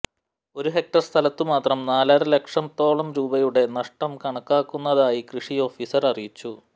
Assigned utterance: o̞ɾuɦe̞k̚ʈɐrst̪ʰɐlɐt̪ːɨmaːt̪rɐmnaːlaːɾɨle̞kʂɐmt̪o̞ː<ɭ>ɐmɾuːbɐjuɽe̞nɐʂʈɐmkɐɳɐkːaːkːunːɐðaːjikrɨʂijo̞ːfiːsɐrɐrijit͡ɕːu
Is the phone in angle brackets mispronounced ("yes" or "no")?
no